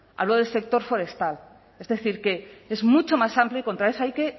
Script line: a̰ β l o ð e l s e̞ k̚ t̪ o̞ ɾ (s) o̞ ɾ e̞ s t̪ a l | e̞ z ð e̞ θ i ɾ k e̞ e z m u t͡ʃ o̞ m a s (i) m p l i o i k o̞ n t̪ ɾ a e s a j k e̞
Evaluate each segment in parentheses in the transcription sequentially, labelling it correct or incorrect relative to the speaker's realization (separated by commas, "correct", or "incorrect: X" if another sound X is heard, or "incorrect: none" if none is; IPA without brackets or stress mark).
incorrect: f, incorrect: a